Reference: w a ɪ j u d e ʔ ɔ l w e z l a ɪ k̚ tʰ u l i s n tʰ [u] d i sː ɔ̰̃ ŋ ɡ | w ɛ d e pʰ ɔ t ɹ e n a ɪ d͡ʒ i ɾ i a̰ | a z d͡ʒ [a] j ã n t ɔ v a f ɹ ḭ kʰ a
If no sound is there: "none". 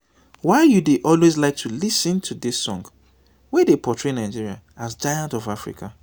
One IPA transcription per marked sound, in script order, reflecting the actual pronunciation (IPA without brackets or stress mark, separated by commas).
u, a